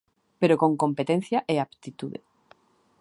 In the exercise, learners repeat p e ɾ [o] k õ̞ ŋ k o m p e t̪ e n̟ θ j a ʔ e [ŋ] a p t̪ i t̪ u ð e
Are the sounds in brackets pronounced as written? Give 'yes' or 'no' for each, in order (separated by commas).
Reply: yes, no